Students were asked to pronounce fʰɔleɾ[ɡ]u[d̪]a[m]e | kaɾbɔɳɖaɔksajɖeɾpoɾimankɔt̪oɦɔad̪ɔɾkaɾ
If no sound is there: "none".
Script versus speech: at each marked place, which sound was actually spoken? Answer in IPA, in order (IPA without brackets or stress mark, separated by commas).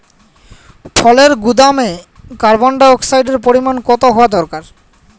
ɡ, d̪, m